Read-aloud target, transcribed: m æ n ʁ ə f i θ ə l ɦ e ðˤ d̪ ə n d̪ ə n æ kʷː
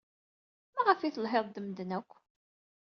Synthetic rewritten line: m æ ʁ ə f i θ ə l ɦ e ðˤ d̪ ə m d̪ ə n æ kʷː